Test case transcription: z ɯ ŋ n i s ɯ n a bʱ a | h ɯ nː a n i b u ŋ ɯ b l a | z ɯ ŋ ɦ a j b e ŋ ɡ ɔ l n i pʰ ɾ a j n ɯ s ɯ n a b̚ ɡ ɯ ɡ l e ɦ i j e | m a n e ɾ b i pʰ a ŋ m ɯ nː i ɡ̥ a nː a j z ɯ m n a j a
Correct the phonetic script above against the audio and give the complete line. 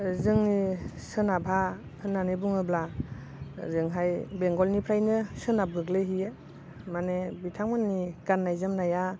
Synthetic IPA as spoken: z ɯ ŋ n i s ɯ n a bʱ a | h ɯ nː a n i b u ŋ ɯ b l a | z ɯ ŋ ɦ a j b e ŋ ɡ ɔ l n i pʰ ɾ a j n ɯ s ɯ n a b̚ ɡ ɯ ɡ l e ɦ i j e | m a n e b i tʰ a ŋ m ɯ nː i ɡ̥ a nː a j z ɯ m n a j a

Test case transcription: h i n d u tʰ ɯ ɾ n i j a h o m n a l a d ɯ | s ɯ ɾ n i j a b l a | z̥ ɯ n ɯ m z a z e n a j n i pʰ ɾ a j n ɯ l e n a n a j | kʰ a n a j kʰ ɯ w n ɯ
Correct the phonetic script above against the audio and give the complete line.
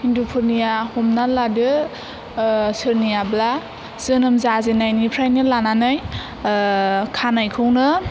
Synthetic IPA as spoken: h i n d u pʰ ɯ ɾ n i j a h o m n a l a d ɯ | s ɯ ɾ n i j a b l a | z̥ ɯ n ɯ m z a z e n a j n i pʰ ɾ a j n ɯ l a n a n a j | kʰ a n a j kʰ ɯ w n ɯ

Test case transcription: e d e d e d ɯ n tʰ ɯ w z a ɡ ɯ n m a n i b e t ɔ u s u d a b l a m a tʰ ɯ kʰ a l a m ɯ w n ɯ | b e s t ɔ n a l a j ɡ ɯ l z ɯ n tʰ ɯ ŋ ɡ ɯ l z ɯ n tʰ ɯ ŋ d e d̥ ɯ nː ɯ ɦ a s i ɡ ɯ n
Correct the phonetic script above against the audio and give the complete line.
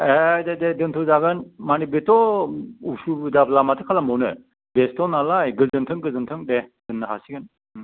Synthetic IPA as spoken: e d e d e d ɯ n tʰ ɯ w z a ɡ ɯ n m a n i b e t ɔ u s u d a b l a m a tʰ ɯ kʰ a l a m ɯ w n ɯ | b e s t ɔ n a l a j ɡ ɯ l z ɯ n tʰ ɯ ŋ ɡ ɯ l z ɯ n tʰ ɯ ŋ d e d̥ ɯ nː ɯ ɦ a s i ɡ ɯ n

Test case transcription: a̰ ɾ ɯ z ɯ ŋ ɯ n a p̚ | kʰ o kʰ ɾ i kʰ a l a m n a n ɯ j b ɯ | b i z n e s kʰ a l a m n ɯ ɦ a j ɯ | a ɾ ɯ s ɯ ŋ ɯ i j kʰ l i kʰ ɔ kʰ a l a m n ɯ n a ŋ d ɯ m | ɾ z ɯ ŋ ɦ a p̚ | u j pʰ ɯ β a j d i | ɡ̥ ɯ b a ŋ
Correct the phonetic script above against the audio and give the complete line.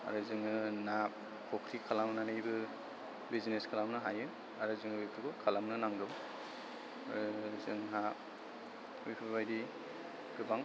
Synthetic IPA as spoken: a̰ ɾ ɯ z ɯ ŋ ɯ n a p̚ | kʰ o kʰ ɾ i kʰ a l a m n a n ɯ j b ɯ | b i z n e s kʰ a l a m n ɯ ɦ a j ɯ | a ɾ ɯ z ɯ ŋ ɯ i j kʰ ɾ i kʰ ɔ kʰ a l a m n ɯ n a ŋ d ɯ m | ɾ z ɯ ŋ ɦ a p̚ | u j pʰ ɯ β a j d i | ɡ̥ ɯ b a ŋ

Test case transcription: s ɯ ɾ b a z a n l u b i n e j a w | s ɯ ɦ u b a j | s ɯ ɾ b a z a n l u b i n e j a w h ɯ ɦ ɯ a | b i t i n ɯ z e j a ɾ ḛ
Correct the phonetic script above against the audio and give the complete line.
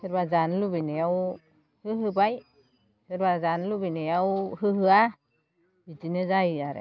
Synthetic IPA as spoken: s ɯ ɾ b a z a n l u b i n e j a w | h ɯ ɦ ɯ b a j | s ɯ ɾ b a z a n l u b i n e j a w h ɯ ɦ ɯ a | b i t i n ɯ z a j a ɾ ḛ

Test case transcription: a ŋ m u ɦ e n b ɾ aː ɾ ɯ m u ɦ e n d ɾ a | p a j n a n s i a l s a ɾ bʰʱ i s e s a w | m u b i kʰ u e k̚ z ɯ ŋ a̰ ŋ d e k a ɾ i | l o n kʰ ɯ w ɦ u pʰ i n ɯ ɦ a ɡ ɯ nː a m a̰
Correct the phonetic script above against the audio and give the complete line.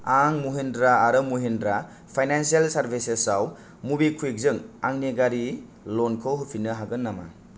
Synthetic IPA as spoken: a ŋ m u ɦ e n d ɾ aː ɾ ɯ m u ɦ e n d ɾ a | pʰ a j n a n s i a l s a ɾ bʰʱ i s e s a w | m u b i kʰ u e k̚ z ɯ ŋ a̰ ŋ n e ɡ a ɾ i | l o n kʰ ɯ w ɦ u pʰ i n ɯ ɦ a ɡ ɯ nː a m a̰

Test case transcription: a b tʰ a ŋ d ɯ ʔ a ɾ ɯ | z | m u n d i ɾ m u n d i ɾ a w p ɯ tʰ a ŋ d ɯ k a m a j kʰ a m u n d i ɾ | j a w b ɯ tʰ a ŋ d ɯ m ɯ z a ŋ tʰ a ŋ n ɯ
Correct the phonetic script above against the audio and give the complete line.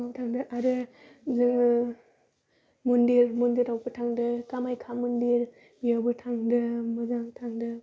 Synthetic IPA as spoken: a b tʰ a ŋ d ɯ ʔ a ɾ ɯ | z | m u n d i ɾ m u n d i ɾ a w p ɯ tʰ a ŋ d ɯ k a m a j kʰ a m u n d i ɾ | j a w b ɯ tʰ a ŋ d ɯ m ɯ z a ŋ tʰ a ŋ d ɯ

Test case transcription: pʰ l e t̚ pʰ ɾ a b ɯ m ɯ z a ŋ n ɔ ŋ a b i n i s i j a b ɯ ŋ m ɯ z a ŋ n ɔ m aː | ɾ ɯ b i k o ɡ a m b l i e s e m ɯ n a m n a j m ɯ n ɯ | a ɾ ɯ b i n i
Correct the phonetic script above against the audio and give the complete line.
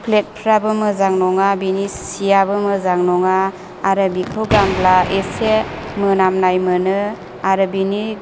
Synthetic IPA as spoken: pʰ l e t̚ pʰ ɾ a b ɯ m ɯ z a ŋ n ɔ ŋ a b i n i s i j a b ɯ m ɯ z a ŋ n ɔ ŋ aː | ɾ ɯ b i kʰ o ɡ a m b l a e s e m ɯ n a m n a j m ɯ n ɯ | a ɾ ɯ b i n i

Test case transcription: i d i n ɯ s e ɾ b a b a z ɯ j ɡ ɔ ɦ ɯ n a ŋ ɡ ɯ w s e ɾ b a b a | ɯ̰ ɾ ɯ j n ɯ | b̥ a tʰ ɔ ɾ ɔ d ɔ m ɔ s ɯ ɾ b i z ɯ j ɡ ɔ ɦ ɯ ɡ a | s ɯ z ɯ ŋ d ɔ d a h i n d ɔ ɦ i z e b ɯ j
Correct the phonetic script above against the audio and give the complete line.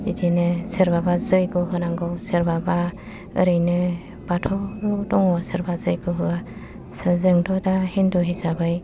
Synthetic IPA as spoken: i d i n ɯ s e ɾ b a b a z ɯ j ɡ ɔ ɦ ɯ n a ŋ ɡ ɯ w s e ɾ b a b a | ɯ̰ ɾ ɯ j n ɯ | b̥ a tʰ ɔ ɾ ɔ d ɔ ŋ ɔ s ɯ ɾ b a z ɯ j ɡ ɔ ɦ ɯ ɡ a | s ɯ z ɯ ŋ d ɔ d a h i n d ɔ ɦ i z a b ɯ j

